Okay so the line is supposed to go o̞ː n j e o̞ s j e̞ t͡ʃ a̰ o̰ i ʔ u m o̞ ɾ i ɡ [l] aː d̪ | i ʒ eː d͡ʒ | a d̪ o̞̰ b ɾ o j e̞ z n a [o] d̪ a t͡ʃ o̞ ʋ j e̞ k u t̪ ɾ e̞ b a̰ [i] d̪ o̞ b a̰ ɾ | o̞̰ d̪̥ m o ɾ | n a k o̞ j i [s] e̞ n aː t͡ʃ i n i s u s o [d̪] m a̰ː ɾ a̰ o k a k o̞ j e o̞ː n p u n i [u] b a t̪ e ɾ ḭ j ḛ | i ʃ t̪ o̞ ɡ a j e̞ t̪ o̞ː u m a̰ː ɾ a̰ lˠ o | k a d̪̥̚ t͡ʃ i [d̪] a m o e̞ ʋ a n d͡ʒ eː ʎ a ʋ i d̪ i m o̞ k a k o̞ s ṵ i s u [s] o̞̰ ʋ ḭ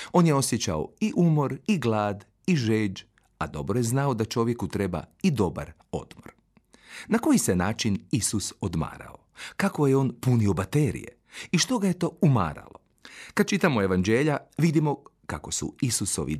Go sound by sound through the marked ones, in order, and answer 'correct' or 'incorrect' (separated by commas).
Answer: correct, correct, correct, correct, correct, incorrect, incorrect, correct